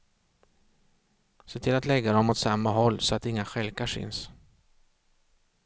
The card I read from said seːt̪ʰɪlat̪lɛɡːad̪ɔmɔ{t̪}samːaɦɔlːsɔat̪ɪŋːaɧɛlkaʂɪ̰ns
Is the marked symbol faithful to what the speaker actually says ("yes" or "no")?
yes